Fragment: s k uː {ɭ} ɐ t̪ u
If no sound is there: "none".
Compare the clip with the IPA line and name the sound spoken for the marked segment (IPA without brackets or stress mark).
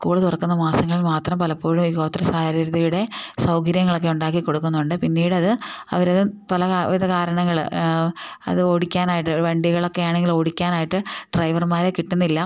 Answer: ɭ